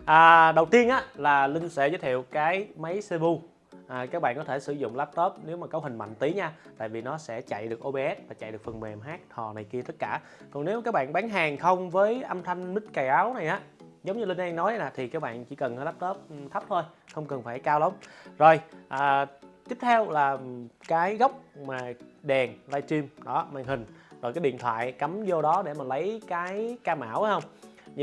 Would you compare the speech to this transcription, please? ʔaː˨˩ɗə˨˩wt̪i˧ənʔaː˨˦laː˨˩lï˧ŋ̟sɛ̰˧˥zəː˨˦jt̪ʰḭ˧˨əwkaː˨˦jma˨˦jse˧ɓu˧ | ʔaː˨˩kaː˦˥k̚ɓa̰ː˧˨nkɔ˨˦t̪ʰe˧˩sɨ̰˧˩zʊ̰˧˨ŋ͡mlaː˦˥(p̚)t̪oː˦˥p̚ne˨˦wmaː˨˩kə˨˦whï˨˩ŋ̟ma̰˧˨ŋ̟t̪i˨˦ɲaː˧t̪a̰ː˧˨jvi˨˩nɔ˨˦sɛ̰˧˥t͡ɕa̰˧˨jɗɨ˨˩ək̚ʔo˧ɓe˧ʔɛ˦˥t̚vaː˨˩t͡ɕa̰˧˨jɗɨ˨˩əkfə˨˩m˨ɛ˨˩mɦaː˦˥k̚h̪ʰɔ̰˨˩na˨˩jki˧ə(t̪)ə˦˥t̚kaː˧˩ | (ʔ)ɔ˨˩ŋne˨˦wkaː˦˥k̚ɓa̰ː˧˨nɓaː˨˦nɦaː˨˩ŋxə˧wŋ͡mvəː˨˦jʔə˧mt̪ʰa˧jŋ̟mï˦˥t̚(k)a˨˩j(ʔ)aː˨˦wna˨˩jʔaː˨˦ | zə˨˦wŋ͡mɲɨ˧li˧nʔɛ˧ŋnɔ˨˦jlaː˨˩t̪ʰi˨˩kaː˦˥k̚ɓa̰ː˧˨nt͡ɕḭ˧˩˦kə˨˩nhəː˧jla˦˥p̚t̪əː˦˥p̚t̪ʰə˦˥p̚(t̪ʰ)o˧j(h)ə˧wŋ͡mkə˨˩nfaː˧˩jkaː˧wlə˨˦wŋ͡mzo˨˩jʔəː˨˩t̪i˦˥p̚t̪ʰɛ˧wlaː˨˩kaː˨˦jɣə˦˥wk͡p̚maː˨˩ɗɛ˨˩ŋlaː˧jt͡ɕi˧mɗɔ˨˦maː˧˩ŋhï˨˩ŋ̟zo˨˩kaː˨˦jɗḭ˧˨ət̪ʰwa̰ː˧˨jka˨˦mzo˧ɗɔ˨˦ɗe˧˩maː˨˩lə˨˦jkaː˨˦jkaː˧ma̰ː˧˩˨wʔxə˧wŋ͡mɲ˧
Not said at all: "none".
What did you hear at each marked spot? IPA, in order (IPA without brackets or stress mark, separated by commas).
p̚, t̪, k, k, ʔ, t̪ʰ, x